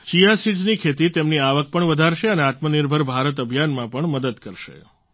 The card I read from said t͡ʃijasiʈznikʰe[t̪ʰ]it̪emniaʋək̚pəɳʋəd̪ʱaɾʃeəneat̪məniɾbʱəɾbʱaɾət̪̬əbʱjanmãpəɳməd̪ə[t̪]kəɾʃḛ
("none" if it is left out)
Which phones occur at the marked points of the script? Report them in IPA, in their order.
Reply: t̪, d̪

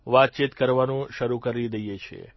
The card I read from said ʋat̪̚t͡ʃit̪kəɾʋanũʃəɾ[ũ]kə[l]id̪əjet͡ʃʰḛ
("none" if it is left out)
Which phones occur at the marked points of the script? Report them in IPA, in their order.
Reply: u, ɾ

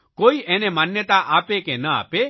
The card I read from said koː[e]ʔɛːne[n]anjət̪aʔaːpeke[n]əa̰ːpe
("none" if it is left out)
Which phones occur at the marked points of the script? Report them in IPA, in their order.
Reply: i, m, n

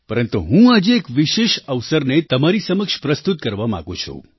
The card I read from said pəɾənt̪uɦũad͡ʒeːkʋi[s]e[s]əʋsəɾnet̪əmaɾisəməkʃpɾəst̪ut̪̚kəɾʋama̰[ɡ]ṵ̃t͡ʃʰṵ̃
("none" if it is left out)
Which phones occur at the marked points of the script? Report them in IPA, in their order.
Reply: ʃ, ʃ, ɡ

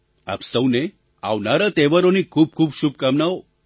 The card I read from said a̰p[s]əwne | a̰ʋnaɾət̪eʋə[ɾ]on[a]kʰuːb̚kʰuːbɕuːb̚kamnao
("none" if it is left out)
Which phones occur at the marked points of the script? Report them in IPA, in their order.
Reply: s, ɾ, i

